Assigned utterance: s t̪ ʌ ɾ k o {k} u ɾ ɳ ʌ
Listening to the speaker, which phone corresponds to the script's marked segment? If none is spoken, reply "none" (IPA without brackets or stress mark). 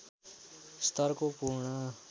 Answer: p